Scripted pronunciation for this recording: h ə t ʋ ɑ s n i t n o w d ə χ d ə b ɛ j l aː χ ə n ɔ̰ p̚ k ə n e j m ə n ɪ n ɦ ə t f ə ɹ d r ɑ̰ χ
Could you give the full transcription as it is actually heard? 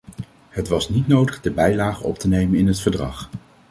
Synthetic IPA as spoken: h ə t ʋ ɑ s n i t n o w d ə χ d ə b ɛ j l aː χ ə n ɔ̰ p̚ t ə n e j m ə n ɪ n ɦ ə t f ə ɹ d r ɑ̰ χ